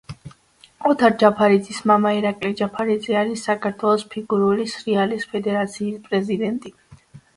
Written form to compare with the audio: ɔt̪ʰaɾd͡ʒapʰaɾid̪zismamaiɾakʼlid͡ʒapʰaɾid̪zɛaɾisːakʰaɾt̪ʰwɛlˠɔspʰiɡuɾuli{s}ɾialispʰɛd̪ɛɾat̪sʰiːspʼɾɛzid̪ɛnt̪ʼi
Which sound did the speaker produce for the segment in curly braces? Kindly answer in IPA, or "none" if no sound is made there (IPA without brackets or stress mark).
s